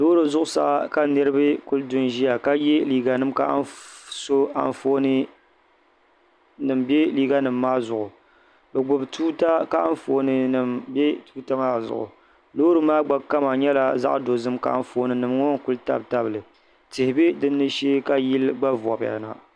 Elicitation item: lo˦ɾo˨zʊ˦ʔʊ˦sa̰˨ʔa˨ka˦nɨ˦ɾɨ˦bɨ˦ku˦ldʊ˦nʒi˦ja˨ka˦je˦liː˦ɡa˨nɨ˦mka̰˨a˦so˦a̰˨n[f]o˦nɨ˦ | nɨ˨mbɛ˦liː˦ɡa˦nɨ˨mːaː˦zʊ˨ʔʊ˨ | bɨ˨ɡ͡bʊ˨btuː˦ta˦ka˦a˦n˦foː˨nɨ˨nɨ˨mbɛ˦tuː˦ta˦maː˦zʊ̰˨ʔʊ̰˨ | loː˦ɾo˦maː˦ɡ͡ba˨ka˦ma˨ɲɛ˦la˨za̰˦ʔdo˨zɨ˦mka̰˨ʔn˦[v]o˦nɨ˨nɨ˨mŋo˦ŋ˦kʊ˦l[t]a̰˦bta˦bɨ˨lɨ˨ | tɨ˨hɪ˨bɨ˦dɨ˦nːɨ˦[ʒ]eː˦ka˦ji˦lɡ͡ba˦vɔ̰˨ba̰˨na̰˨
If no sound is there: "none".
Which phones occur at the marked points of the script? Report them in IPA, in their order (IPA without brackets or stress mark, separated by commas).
f, f, t, ʃ